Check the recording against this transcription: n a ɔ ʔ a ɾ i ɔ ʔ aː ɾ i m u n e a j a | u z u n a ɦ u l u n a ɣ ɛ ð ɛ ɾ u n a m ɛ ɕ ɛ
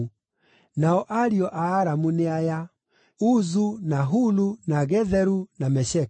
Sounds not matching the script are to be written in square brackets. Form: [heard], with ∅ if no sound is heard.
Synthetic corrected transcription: n a ɔ ʔ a ɾ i ɔ ʔ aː ɾ [a] m u n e a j a | u z u n a ɦ u l u n a ɣ ɛ ð ɛ ɾ u n a m ɛ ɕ ɛ